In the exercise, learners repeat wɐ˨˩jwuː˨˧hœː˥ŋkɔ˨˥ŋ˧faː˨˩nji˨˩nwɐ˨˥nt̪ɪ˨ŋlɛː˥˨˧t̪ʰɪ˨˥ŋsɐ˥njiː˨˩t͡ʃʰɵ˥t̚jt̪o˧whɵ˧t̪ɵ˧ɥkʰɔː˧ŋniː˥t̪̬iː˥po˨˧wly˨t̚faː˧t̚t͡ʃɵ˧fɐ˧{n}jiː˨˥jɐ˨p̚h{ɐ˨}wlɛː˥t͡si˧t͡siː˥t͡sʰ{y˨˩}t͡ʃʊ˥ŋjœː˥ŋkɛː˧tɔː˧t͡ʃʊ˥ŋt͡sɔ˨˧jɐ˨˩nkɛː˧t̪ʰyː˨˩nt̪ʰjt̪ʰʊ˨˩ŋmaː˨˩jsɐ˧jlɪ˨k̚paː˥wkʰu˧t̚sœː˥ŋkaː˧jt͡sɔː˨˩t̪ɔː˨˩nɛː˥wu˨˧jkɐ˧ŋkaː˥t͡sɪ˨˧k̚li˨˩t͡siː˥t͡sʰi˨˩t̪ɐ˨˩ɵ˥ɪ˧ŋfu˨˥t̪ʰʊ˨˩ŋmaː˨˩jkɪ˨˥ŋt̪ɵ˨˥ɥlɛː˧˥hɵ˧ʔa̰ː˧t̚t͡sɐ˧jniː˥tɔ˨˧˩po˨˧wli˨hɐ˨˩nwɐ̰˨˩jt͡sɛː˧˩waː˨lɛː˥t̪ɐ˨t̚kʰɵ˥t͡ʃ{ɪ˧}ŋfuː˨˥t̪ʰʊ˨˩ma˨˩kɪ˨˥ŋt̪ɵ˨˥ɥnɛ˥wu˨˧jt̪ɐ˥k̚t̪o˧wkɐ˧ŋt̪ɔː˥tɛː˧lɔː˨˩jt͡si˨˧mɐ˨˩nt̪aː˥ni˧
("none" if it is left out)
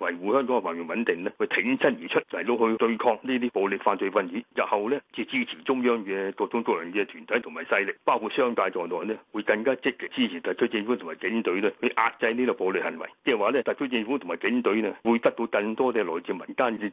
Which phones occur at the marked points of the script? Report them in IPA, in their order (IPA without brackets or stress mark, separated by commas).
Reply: n, ɐ˨, i˨˩, ɪ˧